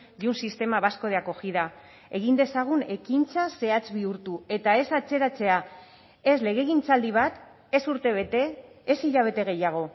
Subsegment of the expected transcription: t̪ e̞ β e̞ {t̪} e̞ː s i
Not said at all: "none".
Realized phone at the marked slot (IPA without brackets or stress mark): t̪